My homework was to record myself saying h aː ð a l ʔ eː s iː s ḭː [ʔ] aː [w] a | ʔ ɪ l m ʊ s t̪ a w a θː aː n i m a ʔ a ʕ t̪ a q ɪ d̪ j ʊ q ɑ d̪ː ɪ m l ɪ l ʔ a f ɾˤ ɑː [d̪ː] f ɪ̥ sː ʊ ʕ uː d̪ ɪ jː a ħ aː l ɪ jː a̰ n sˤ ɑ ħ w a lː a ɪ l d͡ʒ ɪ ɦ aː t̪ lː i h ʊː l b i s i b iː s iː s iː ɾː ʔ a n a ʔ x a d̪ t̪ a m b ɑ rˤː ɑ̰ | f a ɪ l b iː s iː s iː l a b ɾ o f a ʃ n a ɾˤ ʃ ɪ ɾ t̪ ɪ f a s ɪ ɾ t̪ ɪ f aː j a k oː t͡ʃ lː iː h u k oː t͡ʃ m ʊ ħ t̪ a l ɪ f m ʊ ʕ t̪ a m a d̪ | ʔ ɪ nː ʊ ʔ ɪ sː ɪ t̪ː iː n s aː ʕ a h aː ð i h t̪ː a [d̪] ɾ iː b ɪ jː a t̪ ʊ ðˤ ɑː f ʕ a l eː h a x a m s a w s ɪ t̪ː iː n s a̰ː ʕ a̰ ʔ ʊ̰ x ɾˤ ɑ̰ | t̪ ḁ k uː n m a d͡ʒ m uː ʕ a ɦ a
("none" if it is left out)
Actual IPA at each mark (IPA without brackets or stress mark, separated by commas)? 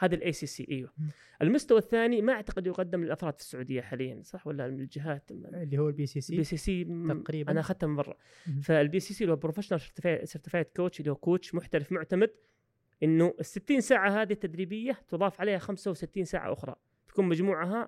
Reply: ʔ, w, d̪, d̪